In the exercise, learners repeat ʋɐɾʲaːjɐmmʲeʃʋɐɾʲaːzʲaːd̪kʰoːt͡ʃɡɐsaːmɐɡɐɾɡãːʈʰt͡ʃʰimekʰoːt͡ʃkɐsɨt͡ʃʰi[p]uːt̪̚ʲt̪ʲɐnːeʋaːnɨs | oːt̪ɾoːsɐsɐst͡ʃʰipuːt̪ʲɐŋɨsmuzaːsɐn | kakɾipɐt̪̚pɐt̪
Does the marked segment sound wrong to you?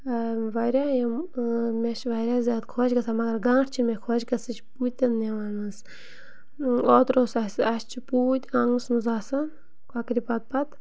no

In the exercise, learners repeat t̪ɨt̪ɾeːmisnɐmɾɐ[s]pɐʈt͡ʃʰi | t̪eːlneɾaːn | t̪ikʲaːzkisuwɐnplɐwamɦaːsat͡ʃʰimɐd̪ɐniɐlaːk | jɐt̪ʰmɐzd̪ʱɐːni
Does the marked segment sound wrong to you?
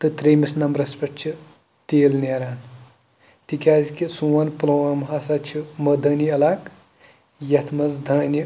no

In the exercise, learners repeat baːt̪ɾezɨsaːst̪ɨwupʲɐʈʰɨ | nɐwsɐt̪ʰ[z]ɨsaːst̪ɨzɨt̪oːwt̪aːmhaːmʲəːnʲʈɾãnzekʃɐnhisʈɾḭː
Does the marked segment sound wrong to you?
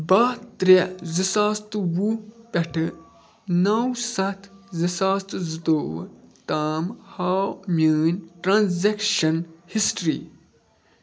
no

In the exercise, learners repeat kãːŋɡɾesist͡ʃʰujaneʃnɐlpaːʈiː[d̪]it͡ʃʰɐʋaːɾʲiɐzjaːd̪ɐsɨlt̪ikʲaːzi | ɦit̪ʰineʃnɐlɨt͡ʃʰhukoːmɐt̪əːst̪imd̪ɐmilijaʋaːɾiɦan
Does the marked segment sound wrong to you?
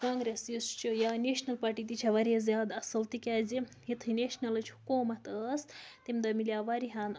yes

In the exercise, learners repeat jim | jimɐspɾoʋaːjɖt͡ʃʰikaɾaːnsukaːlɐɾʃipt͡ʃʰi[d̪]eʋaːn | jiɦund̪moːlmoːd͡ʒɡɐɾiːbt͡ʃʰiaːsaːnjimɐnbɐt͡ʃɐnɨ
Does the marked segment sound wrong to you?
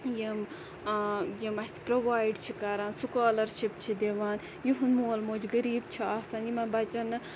no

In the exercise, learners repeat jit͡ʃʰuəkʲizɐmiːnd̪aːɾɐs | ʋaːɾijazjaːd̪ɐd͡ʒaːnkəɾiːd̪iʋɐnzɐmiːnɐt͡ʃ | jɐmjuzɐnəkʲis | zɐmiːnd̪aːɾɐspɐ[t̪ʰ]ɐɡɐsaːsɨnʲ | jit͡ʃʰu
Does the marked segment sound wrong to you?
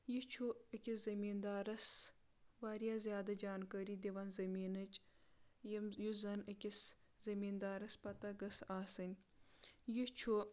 yes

